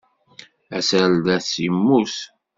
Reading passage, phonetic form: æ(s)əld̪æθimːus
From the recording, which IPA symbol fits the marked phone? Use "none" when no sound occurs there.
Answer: s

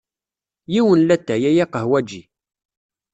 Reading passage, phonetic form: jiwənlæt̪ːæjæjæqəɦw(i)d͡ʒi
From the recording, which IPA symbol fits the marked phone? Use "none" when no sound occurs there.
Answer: æ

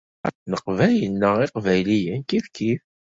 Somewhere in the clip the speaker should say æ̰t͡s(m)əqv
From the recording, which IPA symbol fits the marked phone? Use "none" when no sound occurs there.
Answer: n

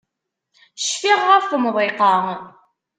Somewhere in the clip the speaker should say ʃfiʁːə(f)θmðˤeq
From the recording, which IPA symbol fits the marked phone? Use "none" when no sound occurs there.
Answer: f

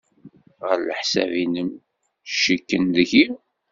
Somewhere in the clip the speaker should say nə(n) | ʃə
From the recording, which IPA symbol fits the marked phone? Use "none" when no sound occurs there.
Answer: m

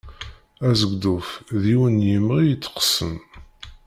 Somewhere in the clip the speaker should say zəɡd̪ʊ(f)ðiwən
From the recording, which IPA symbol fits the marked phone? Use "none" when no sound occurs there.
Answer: f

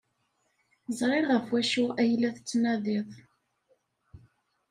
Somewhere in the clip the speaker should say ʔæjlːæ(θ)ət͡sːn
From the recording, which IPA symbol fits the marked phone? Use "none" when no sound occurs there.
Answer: θ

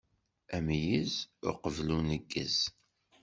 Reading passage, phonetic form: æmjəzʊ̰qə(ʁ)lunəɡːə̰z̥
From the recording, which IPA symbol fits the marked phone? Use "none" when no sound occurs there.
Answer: v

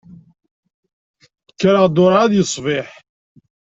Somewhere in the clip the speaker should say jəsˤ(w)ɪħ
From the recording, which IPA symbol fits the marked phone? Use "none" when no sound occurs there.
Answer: v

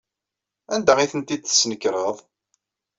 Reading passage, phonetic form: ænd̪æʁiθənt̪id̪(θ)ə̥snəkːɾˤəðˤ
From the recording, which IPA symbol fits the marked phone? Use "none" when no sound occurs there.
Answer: θ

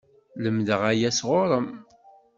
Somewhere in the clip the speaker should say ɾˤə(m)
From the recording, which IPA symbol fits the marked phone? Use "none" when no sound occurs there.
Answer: m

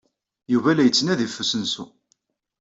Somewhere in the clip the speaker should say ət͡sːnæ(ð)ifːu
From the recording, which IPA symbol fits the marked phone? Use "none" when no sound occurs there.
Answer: ð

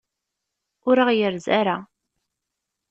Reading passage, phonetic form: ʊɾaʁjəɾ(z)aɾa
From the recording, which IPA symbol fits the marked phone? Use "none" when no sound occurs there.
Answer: z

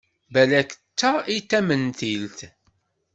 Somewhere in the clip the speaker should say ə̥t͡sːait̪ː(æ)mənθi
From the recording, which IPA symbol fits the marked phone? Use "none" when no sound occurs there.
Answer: æ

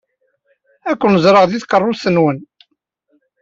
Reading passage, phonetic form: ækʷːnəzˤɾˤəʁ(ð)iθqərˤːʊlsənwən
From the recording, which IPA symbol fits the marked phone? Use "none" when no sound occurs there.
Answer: ð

